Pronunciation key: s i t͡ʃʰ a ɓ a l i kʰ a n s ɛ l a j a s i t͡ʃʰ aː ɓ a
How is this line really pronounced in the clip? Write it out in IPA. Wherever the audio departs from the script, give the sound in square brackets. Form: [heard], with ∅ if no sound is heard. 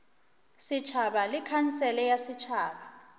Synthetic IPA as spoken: s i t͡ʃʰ a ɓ a l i kʰ a n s ɛ l [ɛ] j a s i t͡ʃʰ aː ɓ a